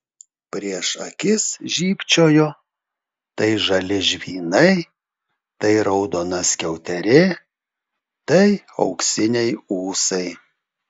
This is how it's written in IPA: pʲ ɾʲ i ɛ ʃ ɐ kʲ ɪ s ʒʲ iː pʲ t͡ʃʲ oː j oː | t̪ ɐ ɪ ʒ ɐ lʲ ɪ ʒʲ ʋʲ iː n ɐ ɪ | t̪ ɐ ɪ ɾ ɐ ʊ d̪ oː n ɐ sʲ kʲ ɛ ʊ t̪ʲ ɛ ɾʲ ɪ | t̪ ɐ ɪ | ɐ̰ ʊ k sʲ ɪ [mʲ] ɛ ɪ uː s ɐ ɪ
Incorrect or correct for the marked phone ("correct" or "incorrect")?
incorrect